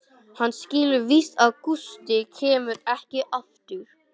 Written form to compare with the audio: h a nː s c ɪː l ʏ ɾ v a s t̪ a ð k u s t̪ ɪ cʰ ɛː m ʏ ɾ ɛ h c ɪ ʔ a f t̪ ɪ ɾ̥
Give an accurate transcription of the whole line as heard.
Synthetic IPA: h a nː s c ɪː l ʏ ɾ v i s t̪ a ð k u s t̪ ɪ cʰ ɛː m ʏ ɾ ɛ h c ɪ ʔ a f t̪ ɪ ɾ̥